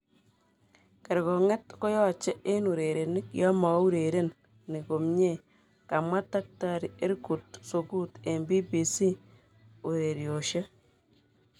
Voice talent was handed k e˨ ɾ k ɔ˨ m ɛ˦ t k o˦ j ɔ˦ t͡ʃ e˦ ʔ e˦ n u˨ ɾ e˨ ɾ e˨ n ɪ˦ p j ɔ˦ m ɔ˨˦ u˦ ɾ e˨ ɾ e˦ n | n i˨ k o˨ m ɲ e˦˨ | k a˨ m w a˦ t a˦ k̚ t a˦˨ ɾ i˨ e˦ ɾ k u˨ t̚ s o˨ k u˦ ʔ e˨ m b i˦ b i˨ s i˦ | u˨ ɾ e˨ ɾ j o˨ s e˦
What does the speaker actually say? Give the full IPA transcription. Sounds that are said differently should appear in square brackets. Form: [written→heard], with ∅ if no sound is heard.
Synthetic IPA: k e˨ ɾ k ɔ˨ [m→ŋ] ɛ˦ t k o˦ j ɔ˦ t͡ʃ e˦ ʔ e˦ n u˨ ɾ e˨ ɾ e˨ n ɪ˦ [p→k] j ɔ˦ m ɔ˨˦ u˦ ɾ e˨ ɾ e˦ n | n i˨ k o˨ m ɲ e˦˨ | k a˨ m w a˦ t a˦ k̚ t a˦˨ ɾ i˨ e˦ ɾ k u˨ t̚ s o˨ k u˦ [ʔ→t] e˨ m b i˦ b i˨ s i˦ | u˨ ɾ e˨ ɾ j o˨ [s→ʃ] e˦